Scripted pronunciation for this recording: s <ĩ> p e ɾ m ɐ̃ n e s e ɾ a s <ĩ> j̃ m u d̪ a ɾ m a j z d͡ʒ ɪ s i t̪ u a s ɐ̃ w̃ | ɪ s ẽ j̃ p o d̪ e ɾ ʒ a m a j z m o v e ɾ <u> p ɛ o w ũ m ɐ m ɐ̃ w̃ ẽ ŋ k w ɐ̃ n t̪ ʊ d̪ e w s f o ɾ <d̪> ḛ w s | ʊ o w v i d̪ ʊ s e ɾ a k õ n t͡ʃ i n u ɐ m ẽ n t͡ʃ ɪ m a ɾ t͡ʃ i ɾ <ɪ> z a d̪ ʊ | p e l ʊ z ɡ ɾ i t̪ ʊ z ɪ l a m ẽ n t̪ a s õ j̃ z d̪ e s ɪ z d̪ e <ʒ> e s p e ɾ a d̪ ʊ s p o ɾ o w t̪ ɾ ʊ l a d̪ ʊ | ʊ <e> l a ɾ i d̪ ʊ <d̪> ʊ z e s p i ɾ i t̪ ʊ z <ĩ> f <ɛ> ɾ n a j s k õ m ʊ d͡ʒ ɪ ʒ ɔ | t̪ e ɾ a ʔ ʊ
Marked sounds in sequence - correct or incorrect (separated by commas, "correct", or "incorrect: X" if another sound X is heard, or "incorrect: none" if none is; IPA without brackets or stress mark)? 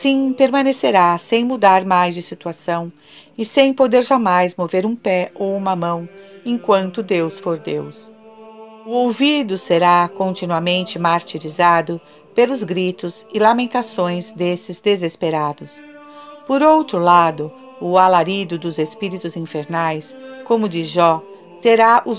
correct, incorrect: ẽ, incorrect: ũ, correct, incorrect: i, incorrect: z, incorrect: a, correct, correct, incorrect: e